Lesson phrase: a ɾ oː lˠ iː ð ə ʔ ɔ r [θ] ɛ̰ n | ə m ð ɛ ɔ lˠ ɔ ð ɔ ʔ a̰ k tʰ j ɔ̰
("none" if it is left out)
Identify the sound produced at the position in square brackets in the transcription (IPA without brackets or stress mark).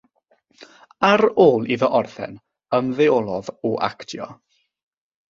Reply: θ